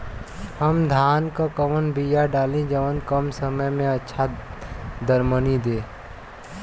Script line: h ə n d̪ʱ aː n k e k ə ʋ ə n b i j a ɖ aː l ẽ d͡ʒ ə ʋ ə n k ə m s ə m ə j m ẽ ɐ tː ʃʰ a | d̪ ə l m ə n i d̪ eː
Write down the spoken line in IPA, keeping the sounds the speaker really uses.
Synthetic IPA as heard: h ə m d̪ʱ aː n k a k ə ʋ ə n b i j a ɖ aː l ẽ d͡ʒ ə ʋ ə n k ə m s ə m ə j m ẽ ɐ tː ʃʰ a | d̪ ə ɾ m ə n i d̪ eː